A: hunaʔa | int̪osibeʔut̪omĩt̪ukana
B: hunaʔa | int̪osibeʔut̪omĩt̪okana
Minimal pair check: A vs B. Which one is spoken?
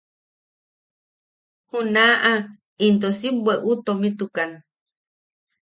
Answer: A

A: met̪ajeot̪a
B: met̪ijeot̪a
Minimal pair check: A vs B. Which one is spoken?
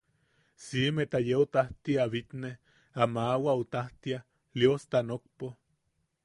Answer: A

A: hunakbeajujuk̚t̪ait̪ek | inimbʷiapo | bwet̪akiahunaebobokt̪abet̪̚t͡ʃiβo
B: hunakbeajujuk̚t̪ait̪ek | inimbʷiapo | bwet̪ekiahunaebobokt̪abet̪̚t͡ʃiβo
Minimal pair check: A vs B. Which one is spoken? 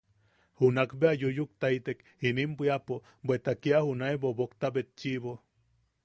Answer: A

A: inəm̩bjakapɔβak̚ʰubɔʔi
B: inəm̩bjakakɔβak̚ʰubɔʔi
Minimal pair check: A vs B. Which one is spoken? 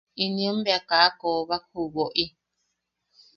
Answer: B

